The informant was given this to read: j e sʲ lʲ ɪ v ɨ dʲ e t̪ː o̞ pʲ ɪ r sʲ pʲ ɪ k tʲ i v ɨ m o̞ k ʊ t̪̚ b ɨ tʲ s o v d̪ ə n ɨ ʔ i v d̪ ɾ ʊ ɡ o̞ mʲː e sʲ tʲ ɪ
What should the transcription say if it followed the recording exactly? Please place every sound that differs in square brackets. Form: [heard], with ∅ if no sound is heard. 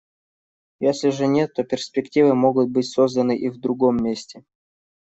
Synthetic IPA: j e sʲ lʲ ɪ [ʐ] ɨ [nʲ] e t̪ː o̞ pʲ ɪ r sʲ pʲ ɪ k tʲ i v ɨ m o̞ [ɡ] ʊ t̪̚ b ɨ tʲ s o [z] d̪ ə n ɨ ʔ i v d̪ ɾ ʊ ɡ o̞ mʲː e sʲ tʲ ɪ